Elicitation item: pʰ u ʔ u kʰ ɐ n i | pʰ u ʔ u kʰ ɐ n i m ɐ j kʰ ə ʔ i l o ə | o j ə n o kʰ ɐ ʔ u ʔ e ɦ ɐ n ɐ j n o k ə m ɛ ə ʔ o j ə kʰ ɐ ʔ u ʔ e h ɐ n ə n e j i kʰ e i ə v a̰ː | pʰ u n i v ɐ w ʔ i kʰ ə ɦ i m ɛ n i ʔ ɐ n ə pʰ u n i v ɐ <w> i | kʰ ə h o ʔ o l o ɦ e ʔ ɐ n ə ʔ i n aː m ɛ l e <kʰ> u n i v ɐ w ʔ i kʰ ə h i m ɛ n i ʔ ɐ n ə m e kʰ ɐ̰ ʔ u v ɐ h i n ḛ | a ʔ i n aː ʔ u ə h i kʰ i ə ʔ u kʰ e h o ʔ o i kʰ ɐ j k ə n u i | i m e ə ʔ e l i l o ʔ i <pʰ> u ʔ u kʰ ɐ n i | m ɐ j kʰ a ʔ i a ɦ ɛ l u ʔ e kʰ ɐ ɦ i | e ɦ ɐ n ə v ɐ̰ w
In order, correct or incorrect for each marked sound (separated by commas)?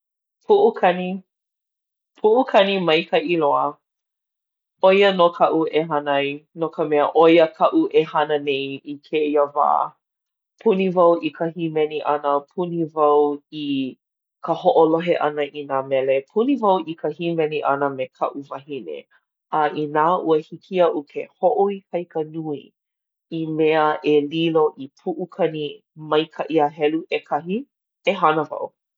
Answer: correct, incorrect, correct